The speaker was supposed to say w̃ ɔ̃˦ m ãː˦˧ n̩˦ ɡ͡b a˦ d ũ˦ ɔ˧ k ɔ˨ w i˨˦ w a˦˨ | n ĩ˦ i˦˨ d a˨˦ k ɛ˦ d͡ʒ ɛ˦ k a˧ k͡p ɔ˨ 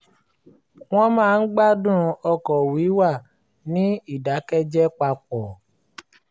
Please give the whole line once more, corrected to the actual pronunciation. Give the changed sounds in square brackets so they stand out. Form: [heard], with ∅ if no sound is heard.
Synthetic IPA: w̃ ɔ̃˦ m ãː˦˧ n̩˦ ɡ͡b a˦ d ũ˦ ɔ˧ k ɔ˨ w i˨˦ w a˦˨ | n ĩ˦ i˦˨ d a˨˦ k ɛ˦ d͡ʒ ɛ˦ [k͡p] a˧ k͡p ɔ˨